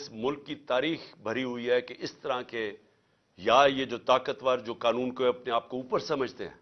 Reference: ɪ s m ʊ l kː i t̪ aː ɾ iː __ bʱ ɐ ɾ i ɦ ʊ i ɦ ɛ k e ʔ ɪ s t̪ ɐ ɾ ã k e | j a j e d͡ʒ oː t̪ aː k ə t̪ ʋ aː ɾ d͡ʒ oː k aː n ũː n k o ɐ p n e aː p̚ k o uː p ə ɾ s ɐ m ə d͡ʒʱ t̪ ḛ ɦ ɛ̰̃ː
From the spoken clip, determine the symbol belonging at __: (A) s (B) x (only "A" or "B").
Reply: B